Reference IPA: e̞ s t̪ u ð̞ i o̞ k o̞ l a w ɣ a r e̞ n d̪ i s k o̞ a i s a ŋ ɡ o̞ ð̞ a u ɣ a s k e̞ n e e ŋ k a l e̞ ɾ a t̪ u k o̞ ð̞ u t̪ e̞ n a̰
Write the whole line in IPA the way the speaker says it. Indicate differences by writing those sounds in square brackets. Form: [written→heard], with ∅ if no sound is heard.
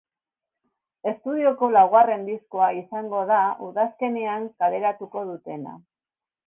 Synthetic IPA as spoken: e̞ s t̪ u ð̞ i o̞ k o̞ l a w ɣ a r e̞ n d̪ i s k o̞ a i s a ŋ ɡ o̞ ð̞ a u [ɣ→ð] a s k e̞ n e [e→a] ŋ k a l e̞ ɾ a t̪ u k o̞ ð̞ u t̪ e̞ n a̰